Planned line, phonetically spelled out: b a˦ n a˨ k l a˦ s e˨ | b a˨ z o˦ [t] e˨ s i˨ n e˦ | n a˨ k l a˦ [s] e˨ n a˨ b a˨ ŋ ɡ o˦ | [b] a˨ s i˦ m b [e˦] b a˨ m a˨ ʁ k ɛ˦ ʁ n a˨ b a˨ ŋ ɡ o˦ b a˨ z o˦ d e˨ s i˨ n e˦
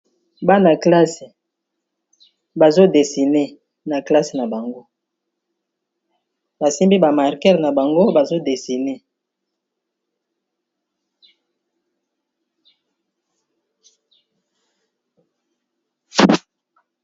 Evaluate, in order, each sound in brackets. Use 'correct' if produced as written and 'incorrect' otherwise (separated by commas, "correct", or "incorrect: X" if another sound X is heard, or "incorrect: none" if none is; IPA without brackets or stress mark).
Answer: incorrect: d, correct, correct, incorrect: i˦